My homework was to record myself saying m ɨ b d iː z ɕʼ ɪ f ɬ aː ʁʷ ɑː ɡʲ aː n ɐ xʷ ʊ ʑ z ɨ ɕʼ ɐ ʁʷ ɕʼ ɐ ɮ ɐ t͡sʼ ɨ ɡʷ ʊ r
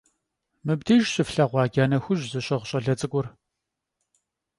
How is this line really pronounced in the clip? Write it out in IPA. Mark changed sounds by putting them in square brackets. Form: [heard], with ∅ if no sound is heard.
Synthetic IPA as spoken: m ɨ b d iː [ʒ] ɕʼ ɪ f ɬ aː ʁʷ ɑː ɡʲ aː n ɐ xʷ ʊ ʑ z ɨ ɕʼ ɐ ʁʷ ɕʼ ɐ ɮ ɐ t͡sʼ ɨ ɡʷ ʊ r